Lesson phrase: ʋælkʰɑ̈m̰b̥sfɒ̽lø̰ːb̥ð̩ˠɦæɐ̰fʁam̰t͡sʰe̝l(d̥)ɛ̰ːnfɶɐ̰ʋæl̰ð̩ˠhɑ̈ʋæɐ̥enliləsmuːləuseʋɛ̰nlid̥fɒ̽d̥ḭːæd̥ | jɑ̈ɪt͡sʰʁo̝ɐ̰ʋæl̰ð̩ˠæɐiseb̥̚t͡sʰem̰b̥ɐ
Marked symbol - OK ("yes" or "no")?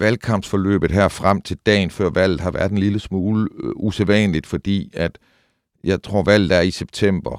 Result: yes